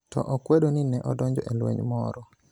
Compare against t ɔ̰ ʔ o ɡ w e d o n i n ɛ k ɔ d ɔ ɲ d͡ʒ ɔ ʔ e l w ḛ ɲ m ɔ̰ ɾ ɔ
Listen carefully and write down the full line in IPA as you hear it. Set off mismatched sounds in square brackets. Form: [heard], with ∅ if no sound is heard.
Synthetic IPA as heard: t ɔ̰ ʔ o [k] w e d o n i n ɛ [ʔ] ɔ d ɔ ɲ d͡ʒ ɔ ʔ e l w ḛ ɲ m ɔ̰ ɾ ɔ